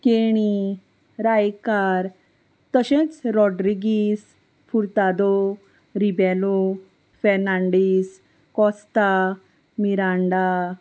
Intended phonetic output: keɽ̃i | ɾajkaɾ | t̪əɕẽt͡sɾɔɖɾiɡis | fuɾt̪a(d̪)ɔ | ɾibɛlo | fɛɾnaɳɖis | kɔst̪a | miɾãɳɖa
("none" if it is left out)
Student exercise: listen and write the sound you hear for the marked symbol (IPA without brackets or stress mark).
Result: d̪